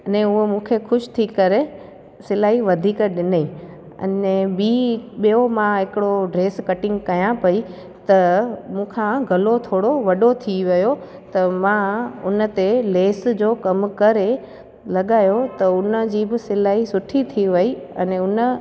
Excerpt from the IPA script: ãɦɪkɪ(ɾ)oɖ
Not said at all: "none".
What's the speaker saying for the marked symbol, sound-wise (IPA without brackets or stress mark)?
ɽ